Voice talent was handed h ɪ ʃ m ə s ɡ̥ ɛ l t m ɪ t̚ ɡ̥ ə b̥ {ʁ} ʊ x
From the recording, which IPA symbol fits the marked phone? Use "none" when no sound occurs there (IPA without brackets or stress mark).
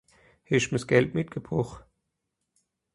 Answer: ʁ